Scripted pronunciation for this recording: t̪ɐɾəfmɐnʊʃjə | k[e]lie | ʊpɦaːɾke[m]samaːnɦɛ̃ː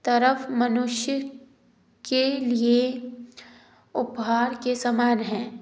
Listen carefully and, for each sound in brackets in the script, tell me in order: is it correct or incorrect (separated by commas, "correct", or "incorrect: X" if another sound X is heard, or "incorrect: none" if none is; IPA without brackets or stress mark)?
correct, incorrect: none